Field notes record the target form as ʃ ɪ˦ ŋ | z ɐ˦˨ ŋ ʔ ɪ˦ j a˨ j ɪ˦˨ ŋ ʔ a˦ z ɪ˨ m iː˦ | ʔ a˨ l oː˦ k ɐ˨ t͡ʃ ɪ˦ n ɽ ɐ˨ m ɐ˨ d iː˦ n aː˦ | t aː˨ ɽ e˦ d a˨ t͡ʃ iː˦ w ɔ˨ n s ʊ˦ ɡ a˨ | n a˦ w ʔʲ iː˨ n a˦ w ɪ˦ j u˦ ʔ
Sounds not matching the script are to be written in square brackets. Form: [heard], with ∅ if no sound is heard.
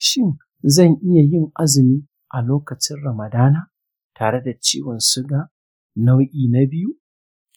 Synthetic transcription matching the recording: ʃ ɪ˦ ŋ | z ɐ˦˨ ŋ ʔ ɪ˦ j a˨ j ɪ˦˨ ŋ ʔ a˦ z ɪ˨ m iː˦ | ʔ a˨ l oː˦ k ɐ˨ t͡ʃ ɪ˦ n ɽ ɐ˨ m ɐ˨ d [aː˦] n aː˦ | t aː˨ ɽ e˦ d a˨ t͡ʃ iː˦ w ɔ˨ n s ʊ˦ ɡ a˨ | n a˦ w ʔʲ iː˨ n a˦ [b] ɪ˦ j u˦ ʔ